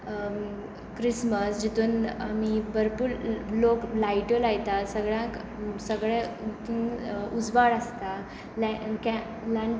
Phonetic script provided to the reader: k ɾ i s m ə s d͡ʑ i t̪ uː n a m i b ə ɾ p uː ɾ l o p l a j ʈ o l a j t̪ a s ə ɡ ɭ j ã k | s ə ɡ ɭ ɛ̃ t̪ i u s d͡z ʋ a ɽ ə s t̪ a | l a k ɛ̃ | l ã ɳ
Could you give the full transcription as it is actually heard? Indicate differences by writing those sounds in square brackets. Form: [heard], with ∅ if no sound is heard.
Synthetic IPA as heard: k ɾ i s m ə s d͡ʑ i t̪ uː n a m i b ə ɾ p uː ɾ l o [k] l a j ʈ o l a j t̪ a s ə ɡ ɭ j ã k | s ə ɡ ɭ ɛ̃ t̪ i u [∅] d͡z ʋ a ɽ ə s t̪ a | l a k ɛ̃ | l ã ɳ